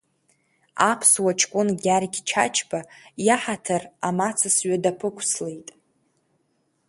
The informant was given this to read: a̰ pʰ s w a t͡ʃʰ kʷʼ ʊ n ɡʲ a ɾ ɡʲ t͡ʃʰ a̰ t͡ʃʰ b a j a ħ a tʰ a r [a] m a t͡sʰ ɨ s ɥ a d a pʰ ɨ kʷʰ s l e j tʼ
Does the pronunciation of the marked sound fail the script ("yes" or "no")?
no